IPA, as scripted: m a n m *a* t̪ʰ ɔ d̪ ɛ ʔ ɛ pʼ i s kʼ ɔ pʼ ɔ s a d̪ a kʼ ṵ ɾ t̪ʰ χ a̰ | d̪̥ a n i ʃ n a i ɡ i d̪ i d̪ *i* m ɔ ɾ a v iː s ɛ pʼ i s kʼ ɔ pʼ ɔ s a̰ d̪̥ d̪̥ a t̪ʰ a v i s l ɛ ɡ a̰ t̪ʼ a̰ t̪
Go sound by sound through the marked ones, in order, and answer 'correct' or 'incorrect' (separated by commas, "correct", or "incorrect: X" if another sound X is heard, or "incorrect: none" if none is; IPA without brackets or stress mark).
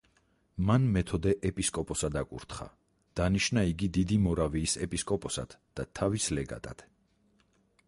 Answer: incorrect: ɛ, correct